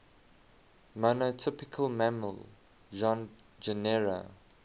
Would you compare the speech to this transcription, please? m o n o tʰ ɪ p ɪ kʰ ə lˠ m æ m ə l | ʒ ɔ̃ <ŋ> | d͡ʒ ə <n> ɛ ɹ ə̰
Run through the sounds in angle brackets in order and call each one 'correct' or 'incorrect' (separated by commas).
incorrect, correct